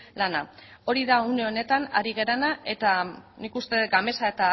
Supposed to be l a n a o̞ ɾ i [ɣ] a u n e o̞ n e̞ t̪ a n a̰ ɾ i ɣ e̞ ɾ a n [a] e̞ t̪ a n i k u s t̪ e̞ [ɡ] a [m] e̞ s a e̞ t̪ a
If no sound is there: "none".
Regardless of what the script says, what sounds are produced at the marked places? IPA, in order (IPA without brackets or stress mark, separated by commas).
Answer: ð, a, ɡ, m